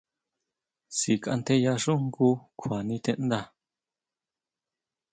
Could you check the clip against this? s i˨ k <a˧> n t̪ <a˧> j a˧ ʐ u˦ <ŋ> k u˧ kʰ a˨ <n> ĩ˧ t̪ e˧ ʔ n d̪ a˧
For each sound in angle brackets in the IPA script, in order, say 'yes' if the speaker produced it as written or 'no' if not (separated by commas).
yes, no, yes, yes